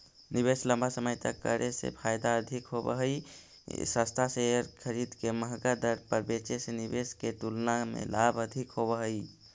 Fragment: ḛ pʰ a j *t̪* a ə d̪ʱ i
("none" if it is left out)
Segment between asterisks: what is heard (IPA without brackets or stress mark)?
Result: d̪